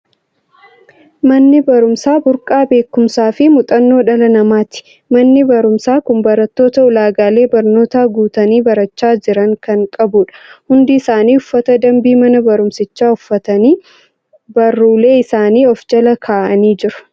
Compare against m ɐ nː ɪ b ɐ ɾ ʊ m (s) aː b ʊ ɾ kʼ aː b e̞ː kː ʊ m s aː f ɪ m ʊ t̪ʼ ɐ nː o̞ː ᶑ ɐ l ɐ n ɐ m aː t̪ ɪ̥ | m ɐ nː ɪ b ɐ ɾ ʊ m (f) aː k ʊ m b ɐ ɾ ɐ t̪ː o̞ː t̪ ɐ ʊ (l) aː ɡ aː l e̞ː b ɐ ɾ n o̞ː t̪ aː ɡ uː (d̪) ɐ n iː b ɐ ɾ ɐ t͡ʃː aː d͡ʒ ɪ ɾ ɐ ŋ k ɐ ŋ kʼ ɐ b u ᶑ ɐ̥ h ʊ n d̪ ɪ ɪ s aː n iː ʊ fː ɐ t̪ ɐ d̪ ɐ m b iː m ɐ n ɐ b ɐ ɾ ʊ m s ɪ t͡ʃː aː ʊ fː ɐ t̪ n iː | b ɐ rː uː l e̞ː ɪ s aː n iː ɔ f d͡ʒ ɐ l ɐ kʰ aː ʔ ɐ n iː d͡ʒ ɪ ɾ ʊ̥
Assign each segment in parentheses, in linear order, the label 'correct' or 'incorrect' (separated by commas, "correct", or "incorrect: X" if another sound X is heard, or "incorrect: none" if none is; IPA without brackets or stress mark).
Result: correct, incorrect: s, correct, incorrect: t̪